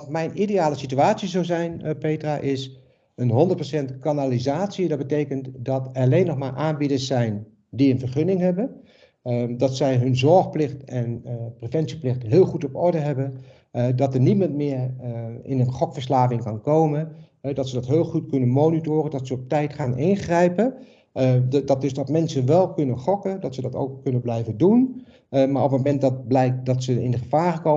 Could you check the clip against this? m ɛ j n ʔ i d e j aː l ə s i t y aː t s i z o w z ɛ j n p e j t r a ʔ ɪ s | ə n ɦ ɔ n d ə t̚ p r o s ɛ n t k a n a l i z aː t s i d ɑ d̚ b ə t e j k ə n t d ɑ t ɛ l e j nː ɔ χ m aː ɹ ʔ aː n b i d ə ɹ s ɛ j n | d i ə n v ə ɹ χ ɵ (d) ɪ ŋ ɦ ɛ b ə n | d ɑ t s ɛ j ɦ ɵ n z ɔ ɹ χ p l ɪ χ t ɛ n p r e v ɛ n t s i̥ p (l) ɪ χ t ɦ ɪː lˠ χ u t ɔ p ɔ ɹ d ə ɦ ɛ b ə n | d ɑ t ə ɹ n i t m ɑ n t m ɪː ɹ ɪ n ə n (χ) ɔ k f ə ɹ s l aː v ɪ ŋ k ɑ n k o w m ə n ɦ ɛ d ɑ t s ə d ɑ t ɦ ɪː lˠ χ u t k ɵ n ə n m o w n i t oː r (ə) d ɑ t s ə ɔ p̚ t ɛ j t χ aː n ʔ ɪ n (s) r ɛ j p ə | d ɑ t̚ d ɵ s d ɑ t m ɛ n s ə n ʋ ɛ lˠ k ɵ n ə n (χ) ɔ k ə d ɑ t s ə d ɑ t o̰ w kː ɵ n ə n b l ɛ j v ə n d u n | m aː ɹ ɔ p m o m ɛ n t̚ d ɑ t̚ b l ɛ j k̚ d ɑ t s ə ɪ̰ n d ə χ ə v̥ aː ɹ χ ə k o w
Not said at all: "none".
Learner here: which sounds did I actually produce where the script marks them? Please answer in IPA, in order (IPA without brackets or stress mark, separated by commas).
n, l, χ, ə, χ, χ